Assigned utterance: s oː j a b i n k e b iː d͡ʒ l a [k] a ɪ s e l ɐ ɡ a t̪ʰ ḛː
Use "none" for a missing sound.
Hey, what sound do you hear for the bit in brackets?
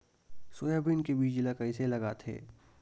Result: k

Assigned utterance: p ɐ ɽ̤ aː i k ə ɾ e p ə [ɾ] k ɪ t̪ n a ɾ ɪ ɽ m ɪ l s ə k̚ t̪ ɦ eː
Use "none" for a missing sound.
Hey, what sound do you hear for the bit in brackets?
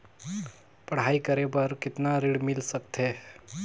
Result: ɾ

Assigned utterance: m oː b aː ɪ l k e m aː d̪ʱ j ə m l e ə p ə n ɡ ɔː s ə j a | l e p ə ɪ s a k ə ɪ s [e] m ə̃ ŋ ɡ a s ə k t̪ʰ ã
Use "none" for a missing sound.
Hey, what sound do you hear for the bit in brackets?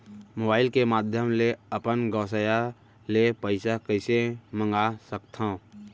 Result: e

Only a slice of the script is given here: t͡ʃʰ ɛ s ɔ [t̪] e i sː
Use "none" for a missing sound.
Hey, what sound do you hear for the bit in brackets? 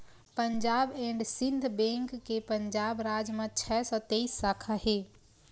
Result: t̪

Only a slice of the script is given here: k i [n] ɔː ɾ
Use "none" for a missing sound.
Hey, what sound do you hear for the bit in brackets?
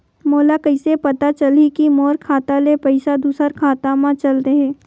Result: m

